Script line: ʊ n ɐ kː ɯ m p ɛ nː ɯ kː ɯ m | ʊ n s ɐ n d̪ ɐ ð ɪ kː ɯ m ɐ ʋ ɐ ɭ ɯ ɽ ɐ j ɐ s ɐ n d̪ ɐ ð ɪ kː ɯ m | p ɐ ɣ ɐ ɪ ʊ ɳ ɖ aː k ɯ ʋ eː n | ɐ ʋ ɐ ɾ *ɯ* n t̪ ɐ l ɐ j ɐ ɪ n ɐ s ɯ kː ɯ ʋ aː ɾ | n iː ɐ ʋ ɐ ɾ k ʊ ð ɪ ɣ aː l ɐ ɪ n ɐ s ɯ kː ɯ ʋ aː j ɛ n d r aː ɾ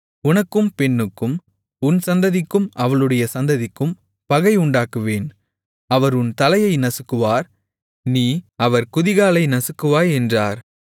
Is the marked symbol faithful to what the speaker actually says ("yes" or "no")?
no